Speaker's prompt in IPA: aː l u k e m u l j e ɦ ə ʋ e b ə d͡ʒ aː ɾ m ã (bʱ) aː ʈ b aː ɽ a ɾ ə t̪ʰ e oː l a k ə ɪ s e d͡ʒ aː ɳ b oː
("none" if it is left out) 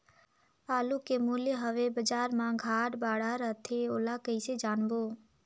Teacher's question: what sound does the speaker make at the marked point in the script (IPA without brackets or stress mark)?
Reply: ɡʱ